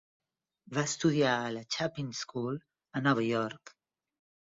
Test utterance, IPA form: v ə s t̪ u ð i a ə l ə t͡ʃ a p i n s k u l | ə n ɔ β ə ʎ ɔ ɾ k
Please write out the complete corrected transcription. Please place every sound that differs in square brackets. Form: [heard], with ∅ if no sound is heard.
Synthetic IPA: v [a] s t̪ u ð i a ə l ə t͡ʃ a p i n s k u l | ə n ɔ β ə [j] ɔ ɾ k